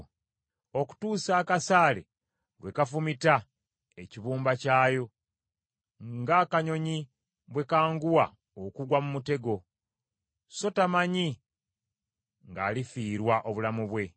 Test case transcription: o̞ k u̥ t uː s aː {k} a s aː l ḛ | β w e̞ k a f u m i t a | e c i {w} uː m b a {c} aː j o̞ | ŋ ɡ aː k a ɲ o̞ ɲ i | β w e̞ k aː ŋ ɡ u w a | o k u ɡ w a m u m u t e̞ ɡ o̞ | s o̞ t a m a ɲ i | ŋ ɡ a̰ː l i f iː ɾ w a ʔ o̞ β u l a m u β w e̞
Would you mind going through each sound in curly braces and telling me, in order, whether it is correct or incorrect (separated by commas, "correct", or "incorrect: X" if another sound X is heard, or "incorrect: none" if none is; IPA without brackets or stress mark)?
correct, incorrect: β, correct